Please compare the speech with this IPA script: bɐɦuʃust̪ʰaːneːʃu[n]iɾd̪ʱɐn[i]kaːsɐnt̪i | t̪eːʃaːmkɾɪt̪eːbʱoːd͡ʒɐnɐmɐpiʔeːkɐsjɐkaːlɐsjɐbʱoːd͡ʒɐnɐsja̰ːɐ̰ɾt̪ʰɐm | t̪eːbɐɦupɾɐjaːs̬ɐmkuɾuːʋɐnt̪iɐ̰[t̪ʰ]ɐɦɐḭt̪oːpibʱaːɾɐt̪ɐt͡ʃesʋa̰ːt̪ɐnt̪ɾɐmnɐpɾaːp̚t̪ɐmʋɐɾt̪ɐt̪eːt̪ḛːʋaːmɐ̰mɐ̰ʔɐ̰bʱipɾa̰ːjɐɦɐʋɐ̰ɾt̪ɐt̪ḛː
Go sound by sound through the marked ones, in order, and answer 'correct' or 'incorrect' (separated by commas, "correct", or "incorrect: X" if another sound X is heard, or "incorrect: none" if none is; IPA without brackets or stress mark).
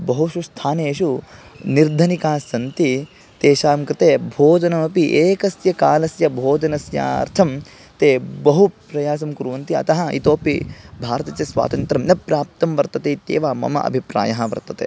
correct, correct, incorrect: t̪